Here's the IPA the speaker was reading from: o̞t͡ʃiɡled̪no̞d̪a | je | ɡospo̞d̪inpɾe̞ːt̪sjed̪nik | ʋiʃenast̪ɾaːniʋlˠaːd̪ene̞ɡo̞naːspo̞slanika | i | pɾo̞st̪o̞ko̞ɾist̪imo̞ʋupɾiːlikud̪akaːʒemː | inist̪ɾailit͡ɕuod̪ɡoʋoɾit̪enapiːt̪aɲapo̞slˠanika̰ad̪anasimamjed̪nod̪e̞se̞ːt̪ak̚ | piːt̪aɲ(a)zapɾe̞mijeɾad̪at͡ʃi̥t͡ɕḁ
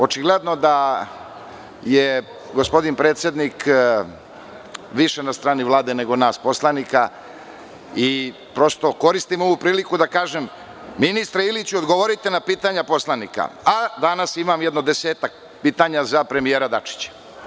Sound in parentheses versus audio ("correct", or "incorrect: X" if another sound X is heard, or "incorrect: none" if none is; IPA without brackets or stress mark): correct